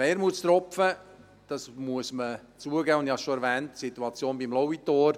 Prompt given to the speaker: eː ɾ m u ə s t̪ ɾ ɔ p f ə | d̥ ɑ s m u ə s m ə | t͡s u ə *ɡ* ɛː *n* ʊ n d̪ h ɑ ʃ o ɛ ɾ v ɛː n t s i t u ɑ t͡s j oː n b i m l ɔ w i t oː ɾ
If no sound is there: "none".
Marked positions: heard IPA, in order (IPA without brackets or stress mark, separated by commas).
ɡ, none